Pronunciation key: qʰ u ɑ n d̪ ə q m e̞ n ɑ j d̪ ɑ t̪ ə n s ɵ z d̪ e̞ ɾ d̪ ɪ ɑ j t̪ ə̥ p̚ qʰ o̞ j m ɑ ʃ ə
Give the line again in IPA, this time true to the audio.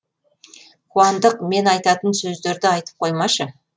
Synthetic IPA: qʰ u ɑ n d̪ ə q m e̞ n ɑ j t̪ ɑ t̪ ə n s ɵ z d̪ e̞ ɾ d̪ ɪ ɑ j t̪ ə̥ p̚ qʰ o̞ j m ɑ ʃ ə

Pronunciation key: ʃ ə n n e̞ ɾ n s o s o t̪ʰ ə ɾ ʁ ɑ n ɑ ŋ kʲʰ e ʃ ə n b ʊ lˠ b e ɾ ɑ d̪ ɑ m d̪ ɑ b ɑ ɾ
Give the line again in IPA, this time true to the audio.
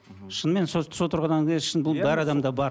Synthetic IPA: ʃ ə n m e̞ n s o s o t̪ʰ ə ɾ ʁ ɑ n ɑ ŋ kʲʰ e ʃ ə n b ʊ lˠ b æ ɾ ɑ d̪ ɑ m d̪ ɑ b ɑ ɾ

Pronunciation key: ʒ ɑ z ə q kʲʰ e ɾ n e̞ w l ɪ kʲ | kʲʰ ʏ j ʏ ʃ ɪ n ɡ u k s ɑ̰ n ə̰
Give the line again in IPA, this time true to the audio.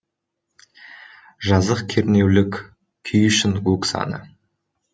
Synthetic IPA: ʒ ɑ z ə q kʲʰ e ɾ n e̞ w l ɪ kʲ | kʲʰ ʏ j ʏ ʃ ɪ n ɡ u k s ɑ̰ n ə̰

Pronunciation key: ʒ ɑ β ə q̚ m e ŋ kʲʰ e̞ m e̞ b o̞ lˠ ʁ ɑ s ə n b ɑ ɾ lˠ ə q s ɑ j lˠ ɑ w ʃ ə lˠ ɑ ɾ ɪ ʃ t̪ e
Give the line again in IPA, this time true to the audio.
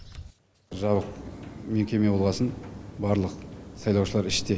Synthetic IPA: ʒ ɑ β ə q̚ m e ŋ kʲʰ e̞ m e̞ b o̞ lˠ ʁ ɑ s ə n b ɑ ɾ lˠ ə q s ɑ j lˠ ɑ w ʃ ə lˠ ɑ ɾ ɪ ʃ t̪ e

